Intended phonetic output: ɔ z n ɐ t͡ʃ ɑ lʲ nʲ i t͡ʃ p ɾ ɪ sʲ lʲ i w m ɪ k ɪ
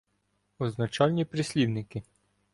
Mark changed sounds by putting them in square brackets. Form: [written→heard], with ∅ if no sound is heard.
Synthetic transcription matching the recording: ɔ z n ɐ t͡ʃ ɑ lʲ nʲ i [t͡ʃ→∅] p ɾ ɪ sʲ lʲ i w [m→n] ɪ k ɪ